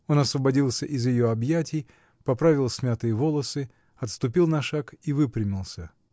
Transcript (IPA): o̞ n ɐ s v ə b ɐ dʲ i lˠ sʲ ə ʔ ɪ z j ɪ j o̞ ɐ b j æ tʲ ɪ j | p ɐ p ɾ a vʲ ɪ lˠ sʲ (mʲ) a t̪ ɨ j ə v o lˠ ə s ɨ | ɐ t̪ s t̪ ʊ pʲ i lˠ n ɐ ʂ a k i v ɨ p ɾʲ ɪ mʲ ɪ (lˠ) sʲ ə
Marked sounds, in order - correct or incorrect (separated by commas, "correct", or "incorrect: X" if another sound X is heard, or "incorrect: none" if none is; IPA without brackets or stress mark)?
correct, correct